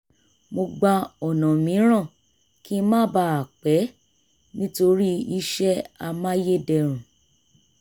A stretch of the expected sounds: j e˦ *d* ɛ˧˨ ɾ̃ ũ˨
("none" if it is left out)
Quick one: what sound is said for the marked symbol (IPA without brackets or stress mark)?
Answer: d